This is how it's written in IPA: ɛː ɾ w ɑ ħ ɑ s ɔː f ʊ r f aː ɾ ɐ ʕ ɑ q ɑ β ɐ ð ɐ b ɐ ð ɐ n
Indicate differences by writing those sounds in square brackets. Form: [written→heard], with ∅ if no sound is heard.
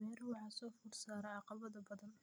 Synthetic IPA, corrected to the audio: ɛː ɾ w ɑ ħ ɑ s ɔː f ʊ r [f→s] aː ɾ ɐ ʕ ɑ q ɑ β ɐ ð ɐ b ɐ ð ɐ n